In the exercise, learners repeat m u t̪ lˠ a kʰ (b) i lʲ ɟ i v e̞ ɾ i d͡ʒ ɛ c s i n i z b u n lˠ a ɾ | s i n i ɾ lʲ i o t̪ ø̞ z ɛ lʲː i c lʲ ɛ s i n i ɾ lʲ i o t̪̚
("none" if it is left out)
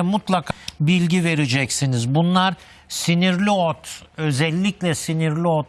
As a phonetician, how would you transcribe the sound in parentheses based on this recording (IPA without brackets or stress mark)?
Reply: b